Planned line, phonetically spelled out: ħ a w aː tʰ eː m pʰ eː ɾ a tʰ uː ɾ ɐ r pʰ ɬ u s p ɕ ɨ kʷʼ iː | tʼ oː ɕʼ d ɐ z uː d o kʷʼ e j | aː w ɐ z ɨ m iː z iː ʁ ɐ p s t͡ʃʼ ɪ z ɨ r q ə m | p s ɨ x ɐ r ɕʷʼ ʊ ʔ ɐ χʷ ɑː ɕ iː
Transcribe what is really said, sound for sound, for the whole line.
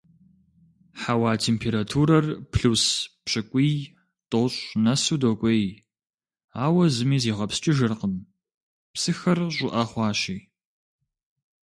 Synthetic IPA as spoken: ħ a w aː tʰ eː m pʰ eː ɾ a tʰ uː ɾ ɐ r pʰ ɬ u s p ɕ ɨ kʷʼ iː | tʼ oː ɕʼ n ɐ s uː d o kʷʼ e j | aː w ɐ z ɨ m iː z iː ʁ ɐ p s t͡ʃʼ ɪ ʒ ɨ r q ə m | p s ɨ x ɐ r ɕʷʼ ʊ ʔ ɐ χʷ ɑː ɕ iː